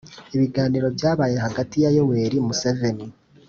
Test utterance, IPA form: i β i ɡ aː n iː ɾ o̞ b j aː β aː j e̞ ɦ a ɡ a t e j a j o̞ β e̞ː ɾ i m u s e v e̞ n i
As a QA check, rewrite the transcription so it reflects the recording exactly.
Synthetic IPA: i β i ɡ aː n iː ɾ o̞ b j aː β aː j e̞ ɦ a ɡ a t i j a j o̞ w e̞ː ɾ i m u s e v e̞ n i